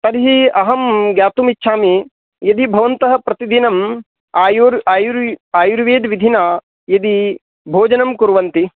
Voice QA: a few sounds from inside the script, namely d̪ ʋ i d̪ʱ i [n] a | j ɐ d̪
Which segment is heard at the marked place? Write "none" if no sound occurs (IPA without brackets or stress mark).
n